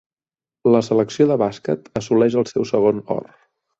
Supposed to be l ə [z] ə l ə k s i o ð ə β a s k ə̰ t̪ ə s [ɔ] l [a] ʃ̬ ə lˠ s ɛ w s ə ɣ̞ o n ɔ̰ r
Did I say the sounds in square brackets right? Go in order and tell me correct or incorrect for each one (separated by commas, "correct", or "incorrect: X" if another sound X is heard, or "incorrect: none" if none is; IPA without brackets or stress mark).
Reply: incorrect: s, incorrect: u, incorrect: ɛ